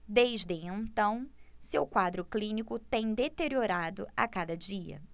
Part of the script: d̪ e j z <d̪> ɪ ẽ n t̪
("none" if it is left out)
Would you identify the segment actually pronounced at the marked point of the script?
d̪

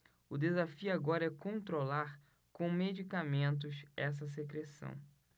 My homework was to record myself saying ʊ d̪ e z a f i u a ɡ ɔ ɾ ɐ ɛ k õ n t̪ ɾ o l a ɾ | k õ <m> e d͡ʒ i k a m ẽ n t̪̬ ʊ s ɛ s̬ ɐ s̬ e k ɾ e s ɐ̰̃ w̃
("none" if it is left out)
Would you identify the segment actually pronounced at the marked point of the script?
m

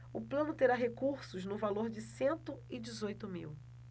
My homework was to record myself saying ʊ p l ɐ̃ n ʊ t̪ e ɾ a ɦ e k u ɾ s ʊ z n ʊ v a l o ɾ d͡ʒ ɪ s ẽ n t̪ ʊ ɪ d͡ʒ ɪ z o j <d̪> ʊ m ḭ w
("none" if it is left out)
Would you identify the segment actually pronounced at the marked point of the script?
t̪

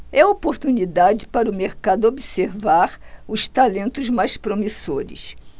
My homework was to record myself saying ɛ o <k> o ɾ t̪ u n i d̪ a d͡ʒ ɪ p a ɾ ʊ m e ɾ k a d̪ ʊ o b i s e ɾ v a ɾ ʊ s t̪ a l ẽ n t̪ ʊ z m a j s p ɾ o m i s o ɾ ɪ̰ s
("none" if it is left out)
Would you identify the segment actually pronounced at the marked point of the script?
p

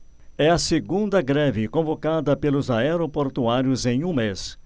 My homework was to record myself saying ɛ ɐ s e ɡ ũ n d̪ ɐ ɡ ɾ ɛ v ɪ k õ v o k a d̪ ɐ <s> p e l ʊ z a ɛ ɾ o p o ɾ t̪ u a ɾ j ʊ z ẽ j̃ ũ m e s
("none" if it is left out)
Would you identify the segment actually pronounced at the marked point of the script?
none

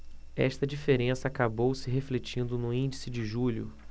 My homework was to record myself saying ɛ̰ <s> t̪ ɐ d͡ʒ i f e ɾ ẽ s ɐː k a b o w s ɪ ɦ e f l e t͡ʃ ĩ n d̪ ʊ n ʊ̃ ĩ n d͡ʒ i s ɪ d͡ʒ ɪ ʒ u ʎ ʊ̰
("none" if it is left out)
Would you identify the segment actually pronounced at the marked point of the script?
ʃ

